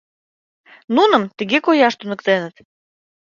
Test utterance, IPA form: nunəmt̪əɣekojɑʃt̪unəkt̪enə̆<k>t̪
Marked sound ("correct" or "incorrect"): incorrect